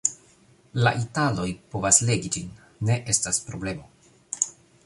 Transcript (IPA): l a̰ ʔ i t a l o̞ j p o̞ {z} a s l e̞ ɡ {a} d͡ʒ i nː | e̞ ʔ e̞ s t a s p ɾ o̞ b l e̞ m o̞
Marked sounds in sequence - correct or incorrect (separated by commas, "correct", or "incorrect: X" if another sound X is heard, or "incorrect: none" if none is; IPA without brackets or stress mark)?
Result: incorrect: v, incorrect: i